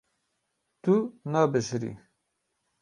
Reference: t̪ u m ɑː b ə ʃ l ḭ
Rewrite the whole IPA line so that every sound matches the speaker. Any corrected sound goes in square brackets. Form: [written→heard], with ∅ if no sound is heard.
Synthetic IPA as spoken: t̪ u [m→n] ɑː b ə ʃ [l→ɾ] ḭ

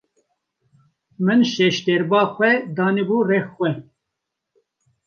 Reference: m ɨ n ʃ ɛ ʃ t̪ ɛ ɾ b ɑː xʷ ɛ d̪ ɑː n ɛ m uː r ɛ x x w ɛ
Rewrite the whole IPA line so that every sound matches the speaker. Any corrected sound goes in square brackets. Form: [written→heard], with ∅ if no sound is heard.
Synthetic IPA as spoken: m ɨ n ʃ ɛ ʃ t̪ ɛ ɾ b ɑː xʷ ɛ d̪ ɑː n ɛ [m→b] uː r ɛ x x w ɛ

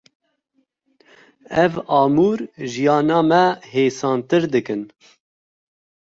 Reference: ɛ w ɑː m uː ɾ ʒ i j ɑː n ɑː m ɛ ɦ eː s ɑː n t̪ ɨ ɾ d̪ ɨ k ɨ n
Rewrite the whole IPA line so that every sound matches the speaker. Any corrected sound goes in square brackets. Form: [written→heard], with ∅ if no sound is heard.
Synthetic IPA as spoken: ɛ [w→v] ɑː m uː ɾ ʒ i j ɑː n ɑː m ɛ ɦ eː s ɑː n t̪ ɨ ɾ d̪ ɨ k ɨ n

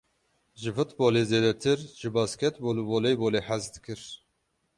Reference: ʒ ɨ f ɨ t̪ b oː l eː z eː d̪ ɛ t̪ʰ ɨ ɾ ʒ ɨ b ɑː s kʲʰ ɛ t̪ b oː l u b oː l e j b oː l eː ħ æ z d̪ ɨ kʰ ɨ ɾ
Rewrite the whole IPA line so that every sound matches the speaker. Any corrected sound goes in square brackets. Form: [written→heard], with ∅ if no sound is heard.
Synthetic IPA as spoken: ʒ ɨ f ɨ t̪ b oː l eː z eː d̪ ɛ t̪ʰ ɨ ɾ ʒ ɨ b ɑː s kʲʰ ɛ t̪ b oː l u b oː l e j b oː l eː ħ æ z d̪ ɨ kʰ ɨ ɾ

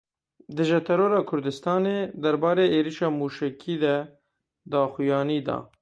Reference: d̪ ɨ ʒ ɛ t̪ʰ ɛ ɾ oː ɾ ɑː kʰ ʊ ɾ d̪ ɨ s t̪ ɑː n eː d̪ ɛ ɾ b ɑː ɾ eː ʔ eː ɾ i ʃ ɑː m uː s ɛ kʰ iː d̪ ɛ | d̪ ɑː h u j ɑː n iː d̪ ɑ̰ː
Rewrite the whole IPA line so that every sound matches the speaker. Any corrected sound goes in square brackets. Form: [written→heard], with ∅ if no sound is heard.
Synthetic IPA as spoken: d̪ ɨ ʒ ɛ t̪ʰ ɛ ɾ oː ɾ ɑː kʰ ʊ ɾ d̪ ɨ s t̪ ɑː n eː d̪ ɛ ɾ b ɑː ɾ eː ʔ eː ɾ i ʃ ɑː m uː [s→ʃ] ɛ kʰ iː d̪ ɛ | d̪ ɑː [h→x] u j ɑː n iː d̪ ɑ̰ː

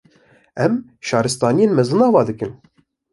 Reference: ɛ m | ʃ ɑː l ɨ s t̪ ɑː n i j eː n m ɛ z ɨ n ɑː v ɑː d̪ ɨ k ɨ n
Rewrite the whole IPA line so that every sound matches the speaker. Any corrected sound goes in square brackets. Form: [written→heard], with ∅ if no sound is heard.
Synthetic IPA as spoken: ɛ m | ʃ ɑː [l→ɾ] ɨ s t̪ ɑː n i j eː n m ɛ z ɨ n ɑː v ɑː d̪ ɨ k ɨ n

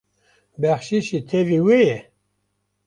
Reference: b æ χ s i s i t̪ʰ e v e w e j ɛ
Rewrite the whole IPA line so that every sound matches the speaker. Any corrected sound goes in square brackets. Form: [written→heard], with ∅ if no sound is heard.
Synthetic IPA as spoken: b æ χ [s→ʃ] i [s→ʃ] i t̪ʰ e v [e→i] w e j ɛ

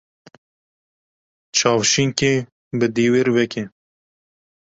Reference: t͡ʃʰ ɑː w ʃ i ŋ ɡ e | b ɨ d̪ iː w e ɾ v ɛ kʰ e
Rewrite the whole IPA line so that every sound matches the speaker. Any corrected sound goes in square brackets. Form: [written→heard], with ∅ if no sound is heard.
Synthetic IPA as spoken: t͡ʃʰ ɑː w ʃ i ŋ [ɡ→k] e | b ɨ d̪ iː w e ɾ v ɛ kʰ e

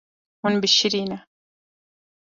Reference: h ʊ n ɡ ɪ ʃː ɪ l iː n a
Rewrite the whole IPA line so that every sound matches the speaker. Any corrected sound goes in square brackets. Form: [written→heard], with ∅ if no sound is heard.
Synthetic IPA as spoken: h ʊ n [ɡ→b] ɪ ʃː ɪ [l→ɾ] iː n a

